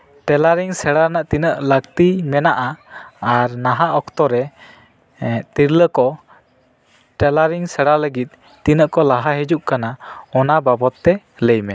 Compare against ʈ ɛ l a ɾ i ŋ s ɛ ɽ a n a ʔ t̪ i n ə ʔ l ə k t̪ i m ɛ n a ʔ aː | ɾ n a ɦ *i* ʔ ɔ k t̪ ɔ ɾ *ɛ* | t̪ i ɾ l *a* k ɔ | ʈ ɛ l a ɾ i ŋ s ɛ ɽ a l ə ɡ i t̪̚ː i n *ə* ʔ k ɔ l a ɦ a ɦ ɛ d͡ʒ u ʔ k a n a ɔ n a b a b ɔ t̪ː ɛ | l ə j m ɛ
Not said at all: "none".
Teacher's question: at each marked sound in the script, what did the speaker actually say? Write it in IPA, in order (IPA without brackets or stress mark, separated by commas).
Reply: a, ɛ, ə, ə